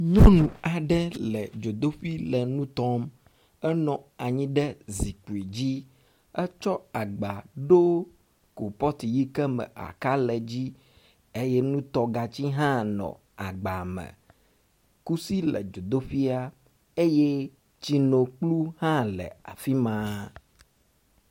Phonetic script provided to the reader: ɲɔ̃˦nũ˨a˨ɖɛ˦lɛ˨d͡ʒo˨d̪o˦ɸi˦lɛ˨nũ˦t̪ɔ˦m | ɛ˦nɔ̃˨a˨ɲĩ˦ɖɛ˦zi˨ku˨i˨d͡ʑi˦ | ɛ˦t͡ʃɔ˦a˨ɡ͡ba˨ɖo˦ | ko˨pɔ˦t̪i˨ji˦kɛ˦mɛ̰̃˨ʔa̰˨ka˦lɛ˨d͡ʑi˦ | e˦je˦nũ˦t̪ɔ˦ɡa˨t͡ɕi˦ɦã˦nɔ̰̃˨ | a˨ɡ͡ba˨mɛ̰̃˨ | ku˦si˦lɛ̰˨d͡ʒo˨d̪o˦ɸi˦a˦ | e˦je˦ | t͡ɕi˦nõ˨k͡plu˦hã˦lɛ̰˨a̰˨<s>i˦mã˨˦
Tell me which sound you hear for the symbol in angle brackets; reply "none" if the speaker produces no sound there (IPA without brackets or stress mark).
f